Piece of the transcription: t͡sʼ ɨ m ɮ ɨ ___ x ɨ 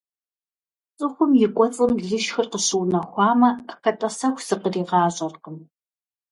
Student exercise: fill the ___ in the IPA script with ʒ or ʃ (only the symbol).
ʃ